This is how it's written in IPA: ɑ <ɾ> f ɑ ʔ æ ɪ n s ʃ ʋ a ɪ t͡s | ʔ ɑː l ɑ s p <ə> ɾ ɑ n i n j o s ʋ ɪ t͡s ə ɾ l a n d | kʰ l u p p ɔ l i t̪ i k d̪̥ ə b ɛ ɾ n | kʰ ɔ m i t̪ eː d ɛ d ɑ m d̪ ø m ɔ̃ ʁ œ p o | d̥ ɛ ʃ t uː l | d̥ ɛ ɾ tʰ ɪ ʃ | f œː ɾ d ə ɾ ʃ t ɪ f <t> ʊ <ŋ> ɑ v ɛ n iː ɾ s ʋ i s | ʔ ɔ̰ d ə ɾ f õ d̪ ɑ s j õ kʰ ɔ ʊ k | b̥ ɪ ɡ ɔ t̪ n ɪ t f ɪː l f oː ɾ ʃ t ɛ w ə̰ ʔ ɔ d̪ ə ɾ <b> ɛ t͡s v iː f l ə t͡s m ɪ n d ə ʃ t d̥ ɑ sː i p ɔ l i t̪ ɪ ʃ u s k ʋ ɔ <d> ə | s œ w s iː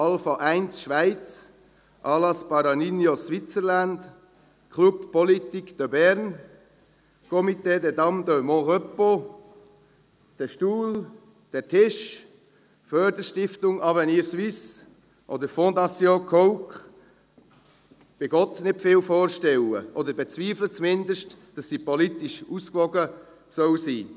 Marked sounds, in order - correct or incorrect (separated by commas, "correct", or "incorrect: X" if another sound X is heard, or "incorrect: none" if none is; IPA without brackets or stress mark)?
incorrect: l, incorrect: ɑ, correct, correct, correct, incorrect: ɡ